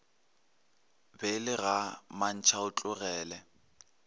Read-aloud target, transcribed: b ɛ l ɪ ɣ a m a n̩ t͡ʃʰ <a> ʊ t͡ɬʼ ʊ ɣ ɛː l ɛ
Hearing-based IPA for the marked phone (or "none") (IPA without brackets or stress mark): a